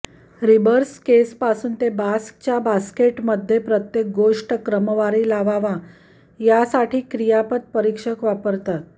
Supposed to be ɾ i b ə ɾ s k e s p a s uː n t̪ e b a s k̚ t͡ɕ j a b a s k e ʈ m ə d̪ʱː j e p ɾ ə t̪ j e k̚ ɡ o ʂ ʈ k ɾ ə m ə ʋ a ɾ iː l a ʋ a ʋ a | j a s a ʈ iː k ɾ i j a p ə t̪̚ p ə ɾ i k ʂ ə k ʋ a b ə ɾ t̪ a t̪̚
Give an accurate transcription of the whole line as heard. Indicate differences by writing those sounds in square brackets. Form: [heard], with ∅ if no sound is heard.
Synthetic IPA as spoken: ɾ i b ə ɾ s k e s p a s uː n t̪ e b a s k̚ t͡ɕ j a b a s k e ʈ m ə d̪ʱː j e p ɾ ə t̪ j e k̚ ɡ o ʂ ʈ k ɾ ə m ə ʋ a ɾ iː l a ʋ a ʋ a | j a s a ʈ iː k ɾ i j a p ə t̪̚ p ə ɾ i k ʂ ə k ʋ a [p] ə ɾ t̪ a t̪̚